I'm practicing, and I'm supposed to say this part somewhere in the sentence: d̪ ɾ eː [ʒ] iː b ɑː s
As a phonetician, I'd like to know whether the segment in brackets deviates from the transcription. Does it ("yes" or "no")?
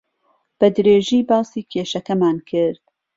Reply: no